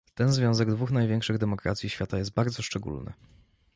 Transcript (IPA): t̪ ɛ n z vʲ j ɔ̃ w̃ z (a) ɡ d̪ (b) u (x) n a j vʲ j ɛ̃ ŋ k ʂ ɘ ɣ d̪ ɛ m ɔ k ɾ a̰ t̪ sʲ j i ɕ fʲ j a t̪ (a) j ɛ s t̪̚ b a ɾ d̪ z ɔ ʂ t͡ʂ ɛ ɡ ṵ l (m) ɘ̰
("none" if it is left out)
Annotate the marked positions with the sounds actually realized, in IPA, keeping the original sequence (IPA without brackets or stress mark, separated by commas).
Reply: ɛ, v, x, a, n